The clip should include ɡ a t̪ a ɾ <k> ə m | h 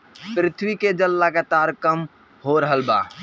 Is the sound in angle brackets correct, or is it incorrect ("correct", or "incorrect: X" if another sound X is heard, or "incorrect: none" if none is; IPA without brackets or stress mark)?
correct